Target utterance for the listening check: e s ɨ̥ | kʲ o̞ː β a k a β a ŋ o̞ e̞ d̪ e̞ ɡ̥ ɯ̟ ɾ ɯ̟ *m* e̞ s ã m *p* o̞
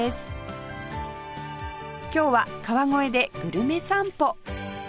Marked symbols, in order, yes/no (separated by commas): yes, yes